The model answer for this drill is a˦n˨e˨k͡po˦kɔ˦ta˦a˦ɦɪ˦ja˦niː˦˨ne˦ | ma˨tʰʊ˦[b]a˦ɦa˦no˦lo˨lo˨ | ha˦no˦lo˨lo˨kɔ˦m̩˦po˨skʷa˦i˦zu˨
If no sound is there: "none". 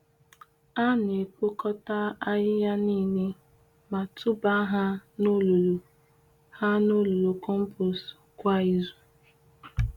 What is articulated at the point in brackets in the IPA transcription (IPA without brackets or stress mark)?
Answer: b